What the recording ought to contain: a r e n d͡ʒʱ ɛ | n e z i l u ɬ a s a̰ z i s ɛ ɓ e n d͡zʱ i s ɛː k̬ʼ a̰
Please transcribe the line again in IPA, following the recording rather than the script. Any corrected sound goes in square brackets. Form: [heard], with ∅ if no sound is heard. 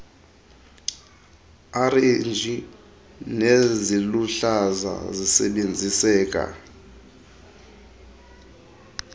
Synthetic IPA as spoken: a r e n d͡ʒʱ [i] | n e z i l u ɬ a [z] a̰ z i s ɛ ɓ e n d͡zʱ i s ɛː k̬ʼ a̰